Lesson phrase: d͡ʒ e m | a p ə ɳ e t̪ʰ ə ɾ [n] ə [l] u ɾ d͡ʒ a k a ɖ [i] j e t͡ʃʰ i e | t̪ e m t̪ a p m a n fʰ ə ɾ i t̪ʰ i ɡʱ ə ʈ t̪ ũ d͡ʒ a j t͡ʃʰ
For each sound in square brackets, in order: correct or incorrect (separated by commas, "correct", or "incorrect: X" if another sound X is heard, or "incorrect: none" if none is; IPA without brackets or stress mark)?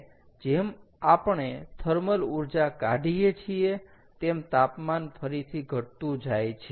incorrect: m, correct, correct